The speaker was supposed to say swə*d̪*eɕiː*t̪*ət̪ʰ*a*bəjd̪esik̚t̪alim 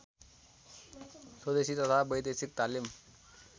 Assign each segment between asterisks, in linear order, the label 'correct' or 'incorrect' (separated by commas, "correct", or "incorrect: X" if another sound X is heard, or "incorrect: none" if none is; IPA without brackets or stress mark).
correct, correct, correct